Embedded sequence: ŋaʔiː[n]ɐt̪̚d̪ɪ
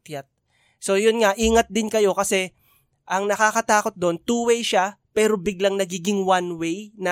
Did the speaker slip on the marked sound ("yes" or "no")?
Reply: yes